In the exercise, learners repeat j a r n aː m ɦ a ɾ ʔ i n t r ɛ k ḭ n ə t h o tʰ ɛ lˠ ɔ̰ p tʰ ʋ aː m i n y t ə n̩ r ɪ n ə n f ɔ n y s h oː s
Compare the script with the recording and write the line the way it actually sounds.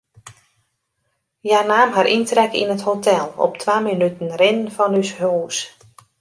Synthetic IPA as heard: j a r n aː m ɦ a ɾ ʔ i n t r ɛ k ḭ n ə t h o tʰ ɛ lˠ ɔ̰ p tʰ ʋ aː m i n y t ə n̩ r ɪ n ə n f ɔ n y s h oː s

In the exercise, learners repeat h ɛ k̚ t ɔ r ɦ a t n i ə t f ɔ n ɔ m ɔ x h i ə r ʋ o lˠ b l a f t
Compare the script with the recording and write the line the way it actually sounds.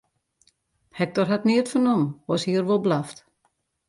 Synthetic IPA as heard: h ɛ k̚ t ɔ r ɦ a t n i ə t f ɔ n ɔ m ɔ s h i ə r ʋ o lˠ b l a f t

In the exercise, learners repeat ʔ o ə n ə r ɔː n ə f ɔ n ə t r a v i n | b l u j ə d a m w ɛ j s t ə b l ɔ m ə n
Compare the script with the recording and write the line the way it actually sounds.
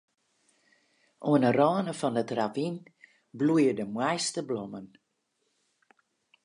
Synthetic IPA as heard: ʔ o ə n ə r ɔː n ə f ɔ n ə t r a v i n | b l u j ə d ə m w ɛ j s t ə b l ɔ m ə n

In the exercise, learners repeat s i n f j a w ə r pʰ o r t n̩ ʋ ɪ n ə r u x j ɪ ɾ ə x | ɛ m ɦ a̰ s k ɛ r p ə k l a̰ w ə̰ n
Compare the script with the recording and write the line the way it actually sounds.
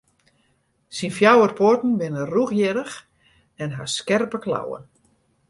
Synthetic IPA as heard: s i n f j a w ə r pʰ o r t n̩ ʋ ɪ n ə r u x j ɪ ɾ ə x | ɛ n ɦ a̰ s k ɛ r p ə k l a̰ w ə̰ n

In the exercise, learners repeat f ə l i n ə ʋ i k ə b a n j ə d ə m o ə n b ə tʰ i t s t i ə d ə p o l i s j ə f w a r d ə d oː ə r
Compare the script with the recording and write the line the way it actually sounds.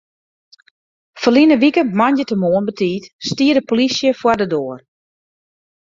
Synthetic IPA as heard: f ə l i n ə ʋ i k ə m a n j ə t ə m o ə n b ə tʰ iː t s t i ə d ə p o l i s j ə f w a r d ə d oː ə r

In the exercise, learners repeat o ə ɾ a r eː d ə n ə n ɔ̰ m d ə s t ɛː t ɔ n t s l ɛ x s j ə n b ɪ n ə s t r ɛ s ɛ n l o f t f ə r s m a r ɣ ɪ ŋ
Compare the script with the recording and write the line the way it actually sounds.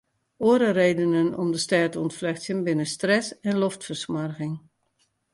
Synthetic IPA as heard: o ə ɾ ə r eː d ə n ə n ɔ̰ m d ə s t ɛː t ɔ n t f l ɛ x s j ə n b ɪ n ə s t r ɛ s ɛ n l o f t f ə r s m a r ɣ ɪ ŋ

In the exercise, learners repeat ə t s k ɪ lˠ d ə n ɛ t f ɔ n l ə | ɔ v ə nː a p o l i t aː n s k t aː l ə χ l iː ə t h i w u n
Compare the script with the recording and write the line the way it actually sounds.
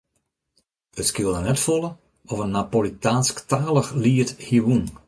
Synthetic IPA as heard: ə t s k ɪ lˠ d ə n ɛ t f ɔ l ə | ɔ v ə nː a p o l i t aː n s k t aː l ə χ l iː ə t h i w u n

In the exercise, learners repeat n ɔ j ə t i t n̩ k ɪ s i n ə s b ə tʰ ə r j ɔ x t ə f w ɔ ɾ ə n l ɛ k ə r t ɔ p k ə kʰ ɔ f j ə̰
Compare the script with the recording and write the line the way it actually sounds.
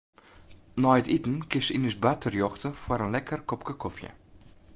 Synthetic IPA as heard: n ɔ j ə t i t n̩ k ɪ s i n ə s b a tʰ ə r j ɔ x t ə f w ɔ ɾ ə n l ɛ k ə r k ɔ p k ə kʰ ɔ f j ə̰

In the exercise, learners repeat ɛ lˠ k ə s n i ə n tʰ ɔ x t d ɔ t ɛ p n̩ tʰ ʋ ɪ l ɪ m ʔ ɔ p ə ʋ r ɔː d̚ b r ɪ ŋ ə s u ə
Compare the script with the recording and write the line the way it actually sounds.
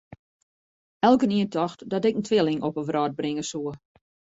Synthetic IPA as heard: ɛ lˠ k ə n i ə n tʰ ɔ x t d ɔ t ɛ k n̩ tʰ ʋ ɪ l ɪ ŋ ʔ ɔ p ə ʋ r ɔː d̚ b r ɪ ŋ ə s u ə

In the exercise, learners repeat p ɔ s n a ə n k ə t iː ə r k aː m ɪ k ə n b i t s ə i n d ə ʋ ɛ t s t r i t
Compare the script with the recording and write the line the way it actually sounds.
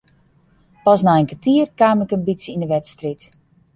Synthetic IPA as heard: p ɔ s n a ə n k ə t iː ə r k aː m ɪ k ə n b i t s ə i n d ə ʋ ɛ t s t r i t

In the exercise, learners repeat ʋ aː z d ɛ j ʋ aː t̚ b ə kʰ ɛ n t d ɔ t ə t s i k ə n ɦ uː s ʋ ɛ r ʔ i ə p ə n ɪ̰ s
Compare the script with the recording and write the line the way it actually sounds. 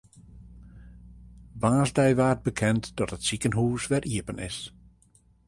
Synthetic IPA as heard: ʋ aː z d ɛ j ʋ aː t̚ b ə kʰ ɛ n t d ɔ t ə t s i k ə n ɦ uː s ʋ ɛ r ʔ i ə p ə n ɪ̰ s

